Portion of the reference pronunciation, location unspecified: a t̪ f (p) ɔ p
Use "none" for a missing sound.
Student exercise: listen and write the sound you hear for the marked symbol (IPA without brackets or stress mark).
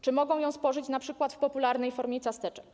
p